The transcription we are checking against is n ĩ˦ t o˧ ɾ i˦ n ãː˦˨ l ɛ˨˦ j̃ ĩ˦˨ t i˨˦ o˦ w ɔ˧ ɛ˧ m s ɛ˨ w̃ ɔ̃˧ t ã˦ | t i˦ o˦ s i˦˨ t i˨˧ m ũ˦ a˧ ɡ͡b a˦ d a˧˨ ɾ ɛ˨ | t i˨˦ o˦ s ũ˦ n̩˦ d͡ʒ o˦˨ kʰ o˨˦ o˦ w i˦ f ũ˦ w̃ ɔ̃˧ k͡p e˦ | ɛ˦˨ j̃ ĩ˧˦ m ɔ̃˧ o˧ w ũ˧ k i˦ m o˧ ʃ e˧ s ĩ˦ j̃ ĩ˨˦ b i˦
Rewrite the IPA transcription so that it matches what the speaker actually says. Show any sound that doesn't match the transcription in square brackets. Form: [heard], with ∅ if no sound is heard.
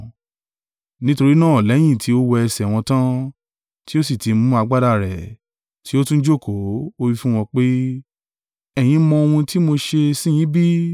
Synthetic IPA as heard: n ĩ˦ t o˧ ɾ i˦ n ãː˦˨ l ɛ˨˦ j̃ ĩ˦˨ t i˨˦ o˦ w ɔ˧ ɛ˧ [∅] s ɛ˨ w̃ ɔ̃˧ t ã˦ | t i˦ o˦ s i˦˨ t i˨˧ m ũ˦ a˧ ɡ͡b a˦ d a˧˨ ɾ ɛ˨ | t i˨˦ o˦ [t] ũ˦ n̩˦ d͡ʒ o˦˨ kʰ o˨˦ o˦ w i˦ f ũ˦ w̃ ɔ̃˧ k͡p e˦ | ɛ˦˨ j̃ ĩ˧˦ m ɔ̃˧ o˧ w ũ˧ [t] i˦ m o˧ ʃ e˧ s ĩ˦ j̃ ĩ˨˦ b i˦